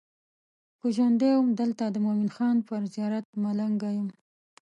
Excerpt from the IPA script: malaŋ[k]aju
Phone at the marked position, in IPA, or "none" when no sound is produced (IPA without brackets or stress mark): ɡ